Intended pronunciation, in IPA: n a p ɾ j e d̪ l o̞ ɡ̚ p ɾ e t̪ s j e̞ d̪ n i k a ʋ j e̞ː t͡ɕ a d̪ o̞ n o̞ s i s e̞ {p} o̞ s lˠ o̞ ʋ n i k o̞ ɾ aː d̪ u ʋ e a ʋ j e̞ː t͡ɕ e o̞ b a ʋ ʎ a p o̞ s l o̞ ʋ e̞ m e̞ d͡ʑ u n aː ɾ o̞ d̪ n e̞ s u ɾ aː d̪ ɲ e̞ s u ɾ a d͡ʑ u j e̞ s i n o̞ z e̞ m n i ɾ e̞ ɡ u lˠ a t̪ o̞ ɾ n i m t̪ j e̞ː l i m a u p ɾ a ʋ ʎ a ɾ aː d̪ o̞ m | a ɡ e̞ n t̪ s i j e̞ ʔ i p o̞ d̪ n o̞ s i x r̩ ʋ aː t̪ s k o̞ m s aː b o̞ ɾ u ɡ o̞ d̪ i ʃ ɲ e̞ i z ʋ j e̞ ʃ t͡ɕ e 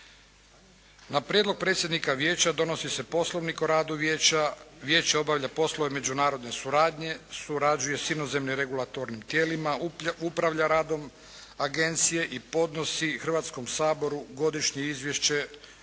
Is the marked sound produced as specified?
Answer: yes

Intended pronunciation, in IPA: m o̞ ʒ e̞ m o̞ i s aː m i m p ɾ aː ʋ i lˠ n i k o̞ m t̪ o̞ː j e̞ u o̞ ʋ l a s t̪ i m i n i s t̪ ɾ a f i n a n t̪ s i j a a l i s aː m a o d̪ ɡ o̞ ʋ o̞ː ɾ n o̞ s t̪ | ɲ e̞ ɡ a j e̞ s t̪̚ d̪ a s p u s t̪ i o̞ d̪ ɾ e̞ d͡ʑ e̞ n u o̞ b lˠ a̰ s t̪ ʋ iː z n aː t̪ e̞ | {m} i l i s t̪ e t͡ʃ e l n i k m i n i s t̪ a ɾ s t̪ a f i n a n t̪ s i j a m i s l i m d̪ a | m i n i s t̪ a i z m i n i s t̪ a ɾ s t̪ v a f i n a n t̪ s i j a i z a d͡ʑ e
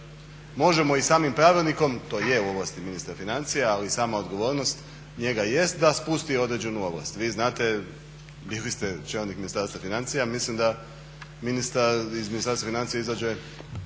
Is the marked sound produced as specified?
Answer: no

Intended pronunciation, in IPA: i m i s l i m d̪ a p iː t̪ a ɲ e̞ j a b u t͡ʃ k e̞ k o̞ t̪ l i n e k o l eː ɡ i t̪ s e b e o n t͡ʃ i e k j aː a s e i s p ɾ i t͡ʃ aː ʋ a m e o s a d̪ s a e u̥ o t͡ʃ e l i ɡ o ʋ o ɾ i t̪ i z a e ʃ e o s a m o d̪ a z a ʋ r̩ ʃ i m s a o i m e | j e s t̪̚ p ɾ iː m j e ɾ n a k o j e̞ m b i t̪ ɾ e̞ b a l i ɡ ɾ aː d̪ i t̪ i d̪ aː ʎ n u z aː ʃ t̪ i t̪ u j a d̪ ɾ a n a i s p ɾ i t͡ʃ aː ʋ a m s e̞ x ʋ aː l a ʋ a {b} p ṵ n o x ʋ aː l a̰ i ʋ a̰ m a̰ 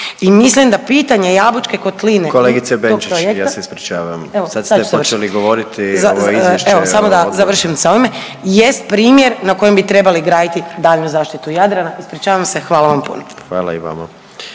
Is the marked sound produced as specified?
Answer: no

